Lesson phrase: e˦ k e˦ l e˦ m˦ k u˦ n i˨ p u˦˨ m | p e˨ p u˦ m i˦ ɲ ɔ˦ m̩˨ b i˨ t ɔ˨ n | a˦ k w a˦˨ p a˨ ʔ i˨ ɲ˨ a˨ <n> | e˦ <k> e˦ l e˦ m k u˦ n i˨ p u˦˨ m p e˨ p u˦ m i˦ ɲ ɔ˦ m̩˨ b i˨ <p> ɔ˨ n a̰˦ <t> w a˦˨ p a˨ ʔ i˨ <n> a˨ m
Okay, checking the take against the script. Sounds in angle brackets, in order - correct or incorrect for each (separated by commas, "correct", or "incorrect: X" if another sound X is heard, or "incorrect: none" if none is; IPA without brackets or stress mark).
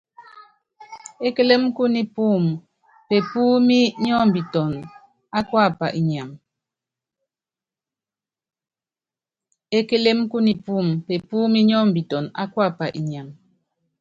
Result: incorrect: m, correct, incorrect: t, incorrect: k, incorrect: ɲ